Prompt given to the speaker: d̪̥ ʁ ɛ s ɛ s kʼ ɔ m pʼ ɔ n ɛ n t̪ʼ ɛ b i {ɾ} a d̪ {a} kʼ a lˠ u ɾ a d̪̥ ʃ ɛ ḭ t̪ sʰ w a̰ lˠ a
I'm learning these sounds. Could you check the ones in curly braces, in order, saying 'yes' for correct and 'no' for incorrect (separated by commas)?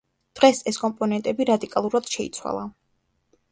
yes, no